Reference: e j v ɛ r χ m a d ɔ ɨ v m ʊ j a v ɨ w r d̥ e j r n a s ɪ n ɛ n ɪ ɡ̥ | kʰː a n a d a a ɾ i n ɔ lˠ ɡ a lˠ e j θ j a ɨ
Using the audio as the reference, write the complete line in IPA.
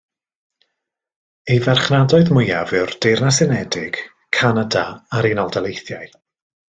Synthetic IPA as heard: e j v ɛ r χ n a d ɔ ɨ ð m ʊ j a v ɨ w r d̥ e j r n a s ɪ n ɛ d ɪ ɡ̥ | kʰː a n a d a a ɾ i n ɔ lˠ d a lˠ e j θ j a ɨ